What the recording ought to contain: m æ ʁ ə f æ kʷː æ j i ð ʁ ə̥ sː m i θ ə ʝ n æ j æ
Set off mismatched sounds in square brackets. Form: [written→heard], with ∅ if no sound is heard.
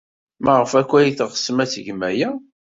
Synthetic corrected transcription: m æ ʁ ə f æ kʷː æ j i [ð→θ] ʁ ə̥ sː m [i→æ] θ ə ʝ [n→m] æ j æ